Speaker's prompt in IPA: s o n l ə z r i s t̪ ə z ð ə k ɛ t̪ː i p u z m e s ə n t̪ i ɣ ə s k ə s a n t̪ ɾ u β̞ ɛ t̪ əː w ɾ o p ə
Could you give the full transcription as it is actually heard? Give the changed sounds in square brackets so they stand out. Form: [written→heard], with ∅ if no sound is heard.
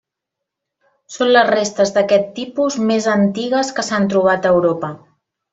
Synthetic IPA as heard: s o n l ə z r [i→e] s t̪ ə z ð ə k ɛ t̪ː i p u z m e [s→z] ə n t̪ i ɣ ə s k ə s a n t̪ ɾ u β̞ [ɛ→a] t̪ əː w ɾ o p ə

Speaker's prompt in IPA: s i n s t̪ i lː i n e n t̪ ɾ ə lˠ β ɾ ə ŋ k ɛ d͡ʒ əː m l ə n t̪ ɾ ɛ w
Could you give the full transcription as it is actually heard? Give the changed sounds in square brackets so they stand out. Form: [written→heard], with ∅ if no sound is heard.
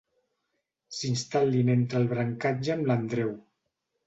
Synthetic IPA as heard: s i n s t̪ [i→a] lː i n e n t̪ ɾ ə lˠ β ɾ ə ŋ k [ɛ→a] d͡ʒ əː m l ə n [t̪→d̪] ɾ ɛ w

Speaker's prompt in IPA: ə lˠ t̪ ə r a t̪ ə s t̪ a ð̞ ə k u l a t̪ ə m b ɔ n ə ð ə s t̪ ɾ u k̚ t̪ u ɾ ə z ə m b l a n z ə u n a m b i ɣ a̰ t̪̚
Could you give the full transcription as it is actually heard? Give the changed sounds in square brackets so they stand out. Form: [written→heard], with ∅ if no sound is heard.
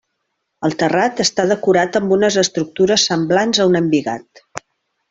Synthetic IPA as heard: ə lˠ t̪ ə r a t̪ ə s t̪ a ð̞ ə k u [l→ɾ] a t̪ ə m b [ɔ→u] n ə [ð→z] ə s t̪ ɾ u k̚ t̪ u ɾ ə [z→s] ə m b l a n z ə u n [a→ə] m b i ɣ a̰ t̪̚

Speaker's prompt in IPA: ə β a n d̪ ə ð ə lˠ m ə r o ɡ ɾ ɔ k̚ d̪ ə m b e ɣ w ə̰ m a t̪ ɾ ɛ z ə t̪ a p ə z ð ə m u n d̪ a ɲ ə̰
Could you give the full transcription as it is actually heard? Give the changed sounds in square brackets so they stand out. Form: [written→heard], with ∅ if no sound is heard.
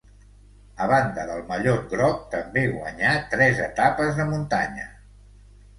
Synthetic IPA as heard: ə β a n d̪ ə ð ə lˠ m ə [r→ʎ] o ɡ ɾ ɔ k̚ [d̪→t̪] ə m b e ɣ w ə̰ [m→ɲ] a t̪ ɾ ɛ z ə t̪ a p ə z ð ə m u n [d̪→t̪] a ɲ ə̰

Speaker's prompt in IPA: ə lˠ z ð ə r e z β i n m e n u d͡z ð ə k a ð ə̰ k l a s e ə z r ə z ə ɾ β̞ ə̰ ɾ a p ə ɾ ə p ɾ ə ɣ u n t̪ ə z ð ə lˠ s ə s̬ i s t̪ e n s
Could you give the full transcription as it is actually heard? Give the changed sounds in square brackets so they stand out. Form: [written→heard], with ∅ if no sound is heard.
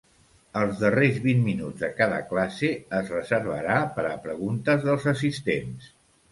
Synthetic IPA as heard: ə lˠ z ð ə r e z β i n m [e→i] n u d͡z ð ə k a ð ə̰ k l a s e ə z r ə z ə ɾ β̞ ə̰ ɾ a p ə ɾ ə p ɾ ə ɣ u n t̪ ə z ð ə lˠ [s→z] ə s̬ i s t̪ e n s

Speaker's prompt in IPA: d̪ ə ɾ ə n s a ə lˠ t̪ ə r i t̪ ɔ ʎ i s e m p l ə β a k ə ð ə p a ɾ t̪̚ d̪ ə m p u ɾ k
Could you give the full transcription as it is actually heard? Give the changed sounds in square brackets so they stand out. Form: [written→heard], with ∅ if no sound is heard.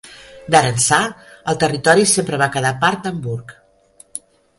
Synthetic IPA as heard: d̪ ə ɾ ə n s a ə lˠ t̪ ə r i t̪ ɔ [ʎ→ɾ] i s e m p [l→ɾ] ə β a k ə ð [ə→a] p a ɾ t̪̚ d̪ ə m [p→b] u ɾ k

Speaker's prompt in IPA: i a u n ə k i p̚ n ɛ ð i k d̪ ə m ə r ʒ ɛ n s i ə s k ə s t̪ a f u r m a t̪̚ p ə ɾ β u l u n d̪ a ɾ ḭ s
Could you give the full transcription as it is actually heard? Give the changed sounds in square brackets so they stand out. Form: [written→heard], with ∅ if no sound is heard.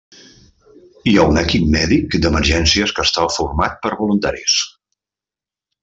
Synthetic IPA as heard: i a u n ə k i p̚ [n→m] ɛ ð i k d̪ ə m ə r ʒ ɛ n s i ə s k ə s t̪ a f u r m a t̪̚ p ə ɾ β u l u n [d̪→t̪] a ɾ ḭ s

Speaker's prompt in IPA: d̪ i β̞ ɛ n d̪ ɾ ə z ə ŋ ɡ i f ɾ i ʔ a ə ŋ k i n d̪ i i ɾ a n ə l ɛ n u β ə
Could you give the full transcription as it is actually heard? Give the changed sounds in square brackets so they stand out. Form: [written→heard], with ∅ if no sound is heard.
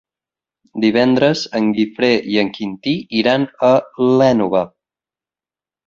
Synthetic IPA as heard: d̪ i β̞ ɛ n d̪ ɾ ə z ə ŋ ɡ i f ɾ [i→e] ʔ [a→i] ə ŋ k i n [d̪→t̪] i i ɾ a n ə l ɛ n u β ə

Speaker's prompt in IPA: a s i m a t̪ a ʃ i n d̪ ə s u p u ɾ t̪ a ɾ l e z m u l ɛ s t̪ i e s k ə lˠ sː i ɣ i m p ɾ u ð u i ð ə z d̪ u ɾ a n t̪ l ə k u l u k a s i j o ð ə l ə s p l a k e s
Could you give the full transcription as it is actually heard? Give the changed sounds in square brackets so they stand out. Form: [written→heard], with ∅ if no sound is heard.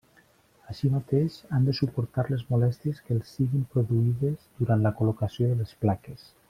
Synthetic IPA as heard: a [s→ʃ] i m a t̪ [a→e] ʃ [i→a] n d̪ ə s u p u ɾ t̪ a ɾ l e z m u l ɛ s t̪ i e s k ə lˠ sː i ɣ i m p ɾ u ð u i ð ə z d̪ u ɾ a n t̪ l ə k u l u k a s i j o ð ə l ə s p l a k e s

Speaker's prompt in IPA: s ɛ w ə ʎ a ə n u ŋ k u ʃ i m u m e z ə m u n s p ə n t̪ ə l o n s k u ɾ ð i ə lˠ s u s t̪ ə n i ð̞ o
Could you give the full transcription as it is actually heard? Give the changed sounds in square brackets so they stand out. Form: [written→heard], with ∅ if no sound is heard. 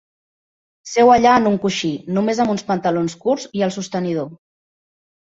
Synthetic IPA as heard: s ɛ w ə ʎ a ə n u ŋ k u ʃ i [m→n] u m e z ə m u n s p ə n t̪ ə l o n s k u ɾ [ð→z] i ə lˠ s u s t̪ ə n i ð̞ o

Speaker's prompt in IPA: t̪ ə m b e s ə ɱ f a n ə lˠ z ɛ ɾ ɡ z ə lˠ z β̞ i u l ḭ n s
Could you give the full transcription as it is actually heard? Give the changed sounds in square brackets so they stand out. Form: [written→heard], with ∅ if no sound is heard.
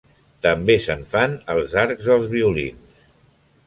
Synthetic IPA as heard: t̪ ə m b e s ə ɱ f a n ə lˠ z [ɛ→a] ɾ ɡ z ə lˠ z β̞ i u l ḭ n s

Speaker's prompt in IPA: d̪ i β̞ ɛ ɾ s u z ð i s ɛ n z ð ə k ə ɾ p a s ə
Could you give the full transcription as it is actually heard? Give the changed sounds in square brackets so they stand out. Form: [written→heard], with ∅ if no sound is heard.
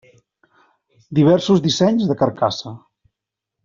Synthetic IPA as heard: d̪ i β̞ ɛ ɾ s u z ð i s ɛ [n→ɲ] z ð ə k ə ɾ [p→k] a s ə

